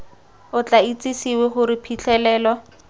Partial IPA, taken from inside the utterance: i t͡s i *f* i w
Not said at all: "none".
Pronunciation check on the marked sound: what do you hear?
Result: s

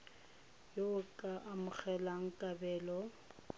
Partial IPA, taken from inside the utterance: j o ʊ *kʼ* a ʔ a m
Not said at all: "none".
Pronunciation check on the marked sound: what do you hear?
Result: kʼ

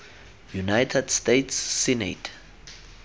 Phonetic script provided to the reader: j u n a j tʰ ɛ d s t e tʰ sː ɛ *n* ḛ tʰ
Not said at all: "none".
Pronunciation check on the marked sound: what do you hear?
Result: n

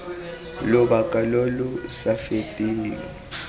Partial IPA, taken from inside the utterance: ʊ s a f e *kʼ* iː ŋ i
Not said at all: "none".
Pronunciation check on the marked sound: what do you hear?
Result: tʼ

